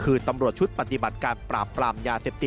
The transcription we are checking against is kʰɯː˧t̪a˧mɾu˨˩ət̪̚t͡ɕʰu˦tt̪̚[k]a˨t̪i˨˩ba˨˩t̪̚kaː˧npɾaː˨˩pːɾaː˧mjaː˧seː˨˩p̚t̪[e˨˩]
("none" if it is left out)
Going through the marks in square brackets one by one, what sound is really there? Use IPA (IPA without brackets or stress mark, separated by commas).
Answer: p, i˨˩